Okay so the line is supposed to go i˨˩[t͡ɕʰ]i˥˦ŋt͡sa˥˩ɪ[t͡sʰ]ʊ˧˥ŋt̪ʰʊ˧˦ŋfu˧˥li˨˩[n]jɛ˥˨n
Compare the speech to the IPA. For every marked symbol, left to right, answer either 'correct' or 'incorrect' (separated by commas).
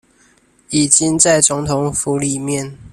incorrect, incorrect, incorrect